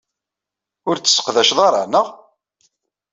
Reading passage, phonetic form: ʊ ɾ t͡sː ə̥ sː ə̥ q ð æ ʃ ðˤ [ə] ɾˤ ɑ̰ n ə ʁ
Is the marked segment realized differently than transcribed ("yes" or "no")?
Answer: yes